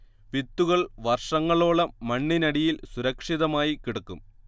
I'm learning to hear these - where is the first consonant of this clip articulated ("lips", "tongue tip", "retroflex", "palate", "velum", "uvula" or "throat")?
lips